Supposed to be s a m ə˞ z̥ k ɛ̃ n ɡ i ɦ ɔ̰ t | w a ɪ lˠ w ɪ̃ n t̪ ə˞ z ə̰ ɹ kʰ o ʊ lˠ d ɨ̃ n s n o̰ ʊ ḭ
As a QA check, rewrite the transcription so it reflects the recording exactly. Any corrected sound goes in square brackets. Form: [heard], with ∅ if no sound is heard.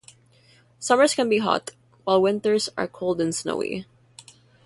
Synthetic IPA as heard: s [ʌ] m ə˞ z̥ k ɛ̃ n [b] i ɦ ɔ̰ t | w a ɪ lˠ w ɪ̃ n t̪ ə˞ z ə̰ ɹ kʰ o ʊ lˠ d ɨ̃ n s n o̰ ʊ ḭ